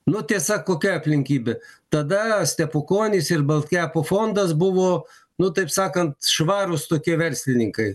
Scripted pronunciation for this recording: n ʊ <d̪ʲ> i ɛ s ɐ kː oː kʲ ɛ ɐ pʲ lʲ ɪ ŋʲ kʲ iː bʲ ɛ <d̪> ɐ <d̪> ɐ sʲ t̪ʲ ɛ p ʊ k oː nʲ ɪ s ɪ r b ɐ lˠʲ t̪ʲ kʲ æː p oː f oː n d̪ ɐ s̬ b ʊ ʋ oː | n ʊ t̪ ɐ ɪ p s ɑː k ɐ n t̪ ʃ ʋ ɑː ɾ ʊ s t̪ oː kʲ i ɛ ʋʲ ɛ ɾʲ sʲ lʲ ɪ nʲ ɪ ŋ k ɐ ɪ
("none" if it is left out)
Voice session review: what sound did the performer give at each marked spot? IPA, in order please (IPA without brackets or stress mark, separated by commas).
t̪ʲ, t̪, d̪